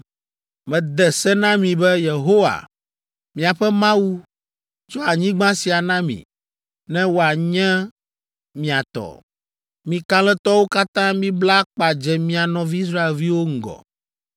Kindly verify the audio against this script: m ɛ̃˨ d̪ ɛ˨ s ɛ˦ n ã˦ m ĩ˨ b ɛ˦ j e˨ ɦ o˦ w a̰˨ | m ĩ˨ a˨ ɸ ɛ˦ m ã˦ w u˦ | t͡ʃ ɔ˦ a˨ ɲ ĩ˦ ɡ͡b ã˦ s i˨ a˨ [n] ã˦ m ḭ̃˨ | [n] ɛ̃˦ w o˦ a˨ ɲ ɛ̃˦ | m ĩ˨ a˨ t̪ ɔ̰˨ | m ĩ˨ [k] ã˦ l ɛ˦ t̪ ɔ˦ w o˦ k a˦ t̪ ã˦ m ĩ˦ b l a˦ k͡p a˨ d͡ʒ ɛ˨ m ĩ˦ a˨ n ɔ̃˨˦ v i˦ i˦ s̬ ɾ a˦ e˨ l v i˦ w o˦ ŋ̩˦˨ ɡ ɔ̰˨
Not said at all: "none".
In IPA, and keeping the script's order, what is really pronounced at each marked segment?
n, n, k

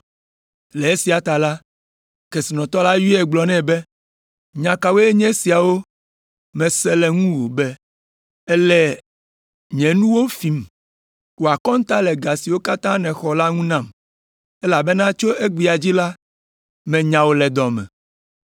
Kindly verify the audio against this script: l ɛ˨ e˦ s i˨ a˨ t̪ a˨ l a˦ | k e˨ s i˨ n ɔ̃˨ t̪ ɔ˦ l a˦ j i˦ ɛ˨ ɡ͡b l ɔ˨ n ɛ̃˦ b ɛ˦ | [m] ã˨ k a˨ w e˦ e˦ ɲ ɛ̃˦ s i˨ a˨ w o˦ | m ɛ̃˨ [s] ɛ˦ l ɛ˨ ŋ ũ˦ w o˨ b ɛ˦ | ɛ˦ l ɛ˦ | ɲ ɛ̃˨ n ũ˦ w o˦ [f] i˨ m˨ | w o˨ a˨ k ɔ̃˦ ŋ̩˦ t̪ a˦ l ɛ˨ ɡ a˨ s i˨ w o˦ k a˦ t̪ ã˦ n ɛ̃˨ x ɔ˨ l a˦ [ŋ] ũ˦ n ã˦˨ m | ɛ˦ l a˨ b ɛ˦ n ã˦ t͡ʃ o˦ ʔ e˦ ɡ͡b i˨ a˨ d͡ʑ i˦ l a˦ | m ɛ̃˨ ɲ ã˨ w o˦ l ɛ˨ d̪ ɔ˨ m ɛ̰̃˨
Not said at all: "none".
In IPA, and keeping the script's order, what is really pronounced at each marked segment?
ɲ, s, f, ŋ

